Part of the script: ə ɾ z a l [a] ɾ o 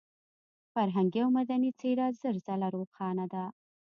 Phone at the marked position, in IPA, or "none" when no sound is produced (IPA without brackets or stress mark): a